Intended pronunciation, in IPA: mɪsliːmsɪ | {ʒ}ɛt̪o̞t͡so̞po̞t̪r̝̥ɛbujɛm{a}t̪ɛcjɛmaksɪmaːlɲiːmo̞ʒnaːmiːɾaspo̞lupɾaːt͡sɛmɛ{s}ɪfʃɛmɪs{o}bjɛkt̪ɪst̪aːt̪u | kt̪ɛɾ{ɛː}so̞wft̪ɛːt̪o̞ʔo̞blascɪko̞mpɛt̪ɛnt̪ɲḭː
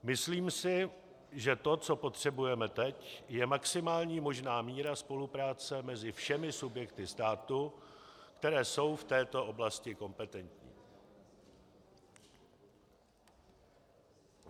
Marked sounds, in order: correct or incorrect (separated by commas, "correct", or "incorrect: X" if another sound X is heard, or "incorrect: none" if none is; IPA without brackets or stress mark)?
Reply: correct, incorrect: ɛ, incorrect: z, incorrect: u, correct